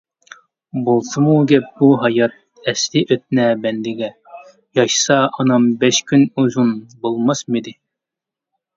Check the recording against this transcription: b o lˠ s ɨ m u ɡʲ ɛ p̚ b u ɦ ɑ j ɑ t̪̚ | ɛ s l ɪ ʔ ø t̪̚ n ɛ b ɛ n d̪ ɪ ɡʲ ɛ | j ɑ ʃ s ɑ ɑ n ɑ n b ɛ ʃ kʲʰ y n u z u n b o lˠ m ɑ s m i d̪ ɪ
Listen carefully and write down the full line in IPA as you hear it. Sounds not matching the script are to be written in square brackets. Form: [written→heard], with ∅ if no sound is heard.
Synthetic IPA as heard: b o lˠ s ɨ m u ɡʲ ɛ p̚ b u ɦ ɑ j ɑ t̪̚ | ɛ s l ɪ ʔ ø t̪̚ n ɛ b ɛ n d̪ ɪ ɡʲ ɛ | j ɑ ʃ s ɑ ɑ n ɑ [n→m] b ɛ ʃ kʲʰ y n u z u n b o lˠ m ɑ s m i d̪ ɪ